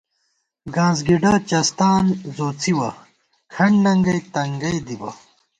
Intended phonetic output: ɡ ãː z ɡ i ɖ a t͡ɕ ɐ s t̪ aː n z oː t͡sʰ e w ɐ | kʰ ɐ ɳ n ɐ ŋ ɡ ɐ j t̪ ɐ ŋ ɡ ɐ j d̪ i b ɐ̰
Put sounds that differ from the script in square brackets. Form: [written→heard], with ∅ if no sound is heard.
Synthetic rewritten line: ɡ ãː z ɡ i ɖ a t͡ɕ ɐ s t̪ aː n z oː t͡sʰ [e→i] w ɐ | kʰ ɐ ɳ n ɐ ŋ ɡ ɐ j t̪ ɐ ŋ ɡ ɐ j d̪ i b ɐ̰